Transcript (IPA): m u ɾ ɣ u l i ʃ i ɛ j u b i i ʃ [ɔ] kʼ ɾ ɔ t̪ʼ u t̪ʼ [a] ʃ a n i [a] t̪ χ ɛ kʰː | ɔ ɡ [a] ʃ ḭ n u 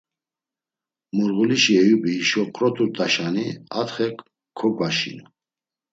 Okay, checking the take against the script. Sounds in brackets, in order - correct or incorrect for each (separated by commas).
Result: correct, correct, correct, correct